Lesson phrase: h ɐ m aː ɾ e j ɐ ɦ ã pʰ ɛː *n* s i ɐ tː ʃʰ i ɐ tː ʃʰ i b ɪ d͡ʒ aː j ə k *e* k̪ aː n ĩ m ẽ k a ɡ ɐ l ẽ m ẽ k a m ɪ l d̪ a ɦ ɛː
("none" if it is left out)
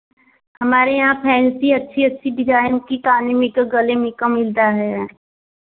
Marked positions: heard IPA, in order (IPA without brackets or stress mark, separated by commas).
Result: n, i